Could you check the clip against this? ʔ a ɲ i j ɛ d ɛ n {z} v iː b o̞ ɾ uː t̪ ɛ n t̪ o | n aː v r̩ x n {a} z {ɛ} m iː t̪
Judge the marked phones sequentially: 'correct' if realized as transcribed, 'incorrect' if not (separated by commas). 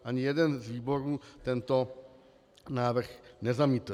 correct, incorrect, incorrect